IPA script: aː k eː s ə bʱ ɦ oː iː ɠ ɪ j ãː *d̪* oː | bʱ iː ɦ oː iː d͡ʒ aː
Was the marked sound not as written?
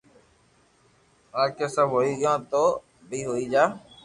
yes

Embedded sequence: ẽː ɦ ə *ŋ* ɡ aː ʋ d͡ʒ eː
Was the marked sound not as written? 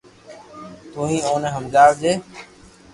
yes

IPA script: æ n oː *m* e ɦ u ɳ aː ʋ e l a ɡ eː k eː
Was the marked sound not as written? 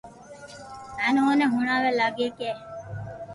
yes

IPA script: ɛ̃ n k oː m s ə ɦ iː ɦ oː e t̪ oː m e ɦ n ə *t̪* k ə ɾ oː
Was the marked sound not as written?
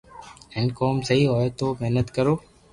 no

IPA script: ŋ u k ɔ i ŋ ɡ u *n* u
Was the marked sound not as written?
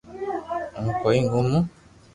yes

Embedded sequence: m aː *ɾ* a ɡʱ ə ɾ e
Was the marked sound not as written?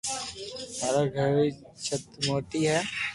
no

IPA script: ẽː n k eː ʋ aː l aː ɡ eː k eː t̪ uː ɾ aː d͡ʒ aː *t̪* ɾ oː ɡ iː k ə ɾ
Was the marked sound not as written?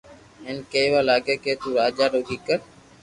yes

